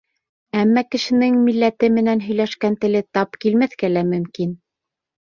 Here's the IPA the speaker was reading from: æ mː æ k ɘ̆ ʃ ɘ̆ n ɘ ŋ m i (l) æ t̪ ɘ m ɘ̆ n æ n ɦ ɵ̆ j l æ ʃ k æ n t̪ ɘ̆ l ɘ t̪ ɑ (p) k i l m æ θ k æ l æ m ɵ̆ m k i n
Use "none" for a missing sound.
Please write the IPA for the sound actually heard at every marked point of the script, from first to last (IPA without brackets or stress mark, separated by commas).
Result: lː, p